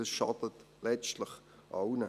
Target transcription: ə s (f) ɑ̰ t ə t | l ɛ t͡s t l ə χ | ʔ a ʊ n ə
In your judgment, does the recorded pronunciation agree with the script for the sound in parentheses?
no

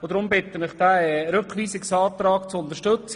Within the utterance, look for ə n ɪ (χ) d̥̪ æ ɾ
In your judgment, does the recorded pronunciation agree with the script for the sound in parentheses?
yes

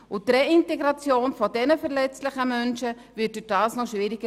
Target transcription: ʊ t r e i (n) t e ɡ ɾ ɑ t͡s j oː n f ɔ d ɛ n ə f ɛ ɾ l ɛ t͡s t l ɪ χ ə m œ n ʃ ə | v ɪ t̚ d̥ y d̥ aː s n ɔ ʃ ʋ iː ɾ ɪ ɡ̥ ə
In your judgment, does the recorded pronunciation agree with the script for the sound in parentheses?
yes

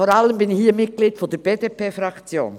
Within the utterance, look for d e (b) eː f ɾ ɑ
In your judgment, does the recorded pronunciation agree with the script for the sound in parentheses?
no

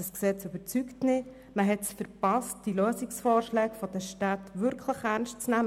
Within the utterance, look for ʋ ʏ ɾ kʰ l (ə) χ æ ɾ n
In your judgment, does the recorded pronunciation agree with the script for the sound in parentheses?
yes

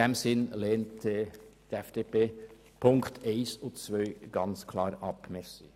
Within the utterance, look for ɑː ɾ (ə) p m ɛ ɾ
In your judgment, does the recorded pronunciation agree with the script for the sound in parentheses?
no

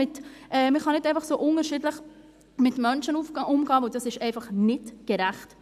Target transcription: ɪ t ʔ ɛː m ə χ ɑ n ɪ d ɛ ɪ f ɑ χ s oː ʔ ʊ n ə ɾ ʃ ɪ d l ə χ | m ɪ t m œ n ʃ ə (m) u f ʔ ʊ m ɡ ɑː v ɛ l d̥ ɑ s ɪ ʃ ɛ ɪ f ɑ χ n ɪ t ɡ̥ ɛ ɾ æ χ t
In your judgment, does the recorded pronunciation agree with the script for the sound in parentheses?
no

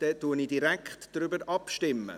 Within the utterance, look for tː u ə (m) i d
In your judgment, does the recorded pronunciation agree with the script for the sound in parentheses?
no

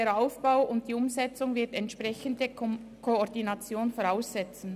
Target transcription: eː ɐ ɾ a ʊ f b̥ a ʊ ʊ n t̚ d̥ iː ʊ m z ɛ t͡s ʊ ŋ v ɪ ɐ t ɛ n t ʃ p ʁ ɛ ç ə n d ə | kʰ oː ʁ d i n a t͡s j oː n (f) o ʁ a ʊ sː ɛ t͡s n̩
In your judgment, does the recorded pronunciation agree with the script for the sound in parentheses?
yes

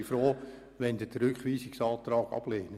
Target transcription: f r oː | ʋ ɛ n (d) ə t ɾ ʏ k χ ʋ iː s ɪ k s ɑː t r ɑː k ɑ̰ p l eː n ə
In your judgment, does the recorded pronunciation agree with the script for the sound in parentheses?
yes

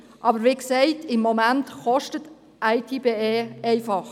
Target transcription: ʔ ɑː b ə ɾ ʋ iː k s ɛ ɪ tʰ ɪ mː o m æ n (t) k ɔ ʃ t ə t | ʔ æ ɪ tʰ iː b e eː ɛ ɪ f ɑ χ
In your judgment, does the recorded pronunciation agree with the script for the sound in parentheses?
yes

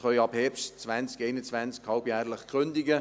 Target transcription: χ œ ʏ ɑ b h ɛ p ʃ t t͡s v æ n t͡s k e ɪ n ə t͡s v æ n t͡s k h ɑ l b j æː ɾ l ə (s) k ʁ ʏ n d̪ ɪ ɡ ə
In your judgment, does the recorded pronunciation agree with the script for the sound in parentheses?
no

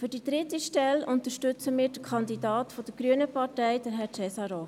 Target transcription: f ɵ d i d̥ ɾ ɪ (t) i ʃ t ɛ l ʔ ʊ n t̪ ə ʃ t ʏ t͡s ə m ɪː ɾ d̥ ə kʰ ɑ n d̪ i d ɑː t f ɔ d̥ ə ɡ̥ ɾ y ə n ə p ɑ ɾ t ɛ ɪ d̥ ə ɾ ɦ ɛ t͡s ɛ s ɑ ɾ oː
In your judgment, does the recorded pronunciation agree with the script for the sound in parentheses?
yes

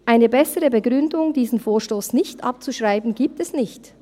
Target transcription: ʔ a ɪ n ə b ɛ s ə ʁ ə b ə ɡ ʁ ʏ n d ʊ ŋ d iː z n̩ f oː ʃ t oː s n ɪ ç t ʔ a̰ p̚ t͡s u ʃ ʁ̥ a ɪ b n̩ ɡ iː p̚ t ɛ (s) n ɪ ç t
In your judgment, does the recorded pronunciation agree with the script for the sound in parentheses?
yes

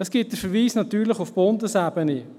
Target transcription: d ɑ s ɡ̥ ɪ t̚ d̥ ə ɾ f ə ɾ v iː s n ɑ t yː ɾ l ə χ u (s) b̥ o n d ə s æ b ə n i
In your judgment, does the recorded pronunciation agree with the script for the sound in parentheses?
no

